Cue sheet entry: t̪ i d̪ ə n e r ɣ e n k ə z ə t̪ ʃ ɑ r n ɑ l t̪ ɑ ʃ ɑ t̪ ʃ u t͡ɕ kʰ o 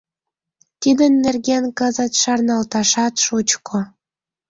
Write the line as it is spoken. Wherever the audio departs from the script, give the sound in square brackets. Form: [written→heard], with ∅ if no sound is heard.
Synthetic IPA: t̪ i d̪ ə [n→nː] e r ɣ e n k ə z ə t̪ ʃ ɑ r n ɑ l t̪ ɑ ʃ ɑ t̪ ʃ u t͡ɕ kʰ o